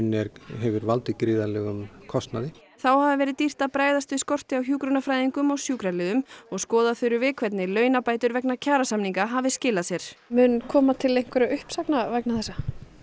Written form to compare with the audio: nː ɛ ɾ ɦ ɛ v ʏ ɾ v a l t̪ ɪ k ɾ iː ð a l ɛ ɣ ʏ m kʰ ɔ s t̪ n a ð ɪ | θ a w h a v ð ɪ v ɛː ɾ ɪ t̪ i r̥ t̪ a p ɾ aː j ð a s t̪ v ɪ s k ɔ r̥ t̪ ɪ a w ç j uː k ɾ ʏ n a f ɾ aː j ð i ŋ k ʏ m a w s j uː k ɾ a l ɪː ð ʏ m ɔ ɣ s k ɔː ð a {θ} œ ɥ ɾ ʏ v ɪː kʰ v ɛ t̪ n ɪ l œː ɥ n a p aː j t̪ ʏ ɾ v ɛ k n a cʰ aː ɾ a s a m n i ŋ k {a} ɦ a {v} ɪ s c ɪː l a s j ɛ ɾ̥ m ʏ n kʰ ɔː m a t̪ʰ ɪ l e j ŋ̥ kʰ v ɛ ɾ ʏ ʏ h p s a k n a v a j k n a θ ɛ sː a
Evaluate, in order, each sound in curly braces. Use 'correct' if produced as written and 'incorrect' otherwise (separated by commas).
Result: correct, correct, correct